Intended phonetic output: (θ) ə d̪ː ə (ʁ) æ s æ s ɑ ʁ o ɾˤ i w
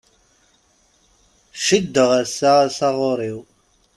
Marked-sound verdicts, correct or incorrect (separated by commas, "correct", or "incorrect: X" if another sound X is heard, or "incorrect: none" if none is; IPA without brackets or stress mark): incorrect: ʃ, correct